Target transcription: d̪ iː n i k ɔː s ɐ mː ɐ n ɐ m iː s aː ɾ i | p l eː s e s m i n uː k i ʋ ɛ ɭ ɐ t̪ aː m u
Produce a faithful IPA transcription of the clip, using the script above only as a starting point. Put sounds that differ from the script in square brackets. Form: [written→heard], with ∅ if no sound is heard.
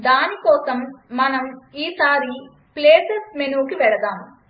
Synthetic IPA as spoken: d̪ [iː→aː] n i k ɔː s ɐ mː ɐ n ɐ m iː s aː ɾ i | p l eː s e s m [i→e] n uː k i ʋ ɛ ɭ ɐ [t̪→d̪] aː m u